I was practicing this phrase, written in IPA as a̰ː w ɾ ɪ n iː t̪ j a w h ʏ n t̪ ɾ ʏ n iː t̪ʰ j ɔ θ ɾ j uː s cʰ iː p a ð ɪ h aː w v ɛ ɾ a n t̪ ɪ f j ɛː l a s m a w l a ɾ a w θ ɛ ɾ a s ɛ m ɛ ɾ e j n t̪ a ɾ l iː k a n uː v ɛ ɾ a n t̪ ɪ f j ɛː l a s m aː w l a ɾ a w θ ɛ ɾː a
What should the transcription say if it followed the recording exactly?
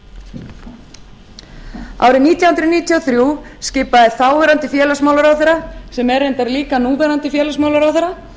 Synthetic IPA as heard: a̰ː w ɾ ɪ n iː t̪ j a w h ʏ n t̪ ɾ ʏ n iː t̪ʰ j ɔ θ ɾ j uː s c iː p a ð ɪ θ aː w v ɛ ɾ a n t̪ ɪ f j ɛː l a s m a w l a ɾ a w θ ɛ ɾ a s ɛ m ɛ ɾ e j n t̪ a ɾ l iː k a n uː v ɛ ɾ a n t̪ ɪ f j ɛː l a s m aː w l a ɾ a w θ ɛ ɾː a